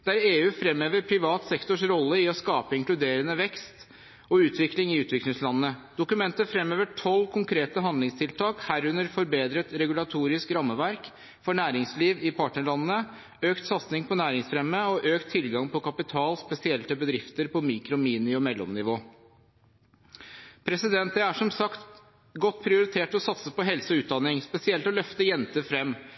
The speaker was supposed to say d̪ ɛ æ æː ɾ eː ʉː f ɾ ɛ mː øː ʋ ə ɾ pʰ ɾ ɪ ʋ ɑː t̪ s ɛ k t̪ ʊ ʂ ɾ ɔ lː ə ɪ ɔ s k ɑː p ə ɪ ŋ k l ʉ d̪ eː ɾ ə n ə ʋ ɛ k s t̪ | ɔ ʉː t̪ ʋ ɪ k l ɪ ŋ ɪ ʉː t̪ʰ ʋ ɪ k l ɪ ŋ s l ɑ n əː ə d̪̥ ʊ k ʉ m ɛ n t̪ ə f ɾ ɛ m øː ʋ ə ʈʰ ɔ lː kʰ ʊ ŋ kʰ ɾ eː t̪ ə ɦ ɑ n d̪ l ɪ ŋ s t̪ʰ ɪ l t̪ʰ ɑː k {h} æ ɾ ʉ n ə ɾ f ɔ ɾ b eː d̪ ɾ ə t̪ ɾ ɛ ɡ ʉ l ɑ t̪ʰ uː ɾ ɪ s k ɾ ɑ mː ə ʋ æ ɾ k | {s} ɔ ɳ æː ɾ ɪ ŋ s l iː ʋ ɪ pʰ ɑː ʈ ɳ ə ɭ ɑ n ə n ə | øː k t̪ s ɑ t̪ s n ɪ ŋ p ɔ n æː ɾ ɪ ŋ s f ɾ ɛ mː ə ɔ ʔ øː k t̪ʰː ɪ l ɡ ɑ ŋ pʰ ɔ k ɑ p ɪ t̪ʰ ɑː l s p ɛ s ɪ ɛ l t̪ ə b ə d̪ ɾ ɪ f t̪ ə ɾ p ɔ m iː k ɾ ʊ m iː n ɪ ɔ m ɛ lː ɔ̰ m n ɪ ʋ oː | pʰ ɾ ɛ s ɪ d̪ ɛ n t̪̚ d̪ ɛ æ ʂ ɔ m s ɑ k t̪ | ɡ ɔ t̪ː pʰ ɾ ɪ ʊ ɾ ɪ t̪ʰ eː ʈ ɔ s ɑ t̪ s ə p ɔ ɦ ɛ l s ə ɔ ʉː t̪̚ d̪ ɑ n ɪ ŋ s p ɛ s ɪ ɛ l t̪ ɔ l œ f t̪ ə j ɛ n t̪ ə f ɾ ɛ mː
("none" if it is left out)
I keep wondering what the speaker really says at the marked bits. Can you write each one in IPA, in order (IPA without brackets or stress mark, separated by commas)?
h, f